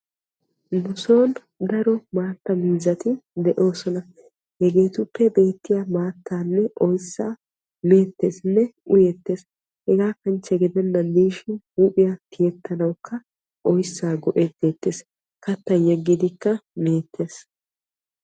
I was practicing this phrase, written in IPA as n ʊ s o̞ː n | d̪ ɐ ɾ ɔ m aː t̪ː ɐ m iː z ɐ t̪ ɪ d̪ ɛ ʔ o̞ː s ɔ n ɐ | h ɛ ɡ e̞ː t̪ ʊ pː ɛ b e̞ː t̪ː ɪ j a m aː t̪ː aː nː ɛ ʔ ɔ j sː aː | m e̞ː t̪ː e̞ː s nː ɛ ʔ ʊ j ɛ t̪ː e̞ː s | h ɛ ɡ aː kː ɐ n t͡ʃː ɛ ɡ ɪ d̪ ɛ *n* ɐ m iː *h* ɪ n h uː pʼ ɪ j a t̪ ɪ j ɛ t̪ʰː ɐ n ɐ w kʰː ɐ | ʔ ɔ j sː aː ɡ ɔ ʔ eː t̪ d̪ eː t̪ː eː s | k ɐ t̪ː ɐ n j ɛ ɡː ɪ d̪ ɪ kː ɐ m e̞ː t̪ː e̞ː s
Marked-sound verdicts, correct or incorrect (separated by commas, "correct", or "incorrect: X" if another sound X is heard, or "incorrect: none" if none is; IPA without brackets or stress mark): incorrect: nː, incorrect: ʃ